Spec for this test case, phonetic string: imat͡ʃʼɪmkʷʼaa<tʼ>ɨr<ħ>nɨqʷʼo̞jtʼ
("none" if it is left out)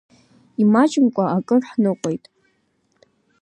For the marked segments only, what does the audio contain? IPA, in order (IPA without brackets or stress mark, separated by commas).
kʼ, ħ